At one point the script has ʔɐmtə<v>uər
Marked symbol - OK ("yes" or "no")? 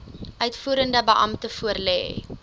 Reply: no